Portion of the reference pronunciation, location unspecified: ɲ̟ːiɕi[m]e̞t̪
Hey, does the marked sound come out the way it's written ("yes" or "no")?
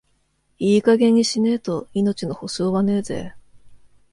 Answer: no